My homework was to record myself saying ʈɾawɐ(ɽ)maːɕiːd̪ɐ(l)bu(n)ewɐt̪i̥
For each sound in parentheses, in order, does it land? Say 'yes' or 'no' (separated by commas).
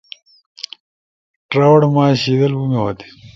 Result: yes, yes, no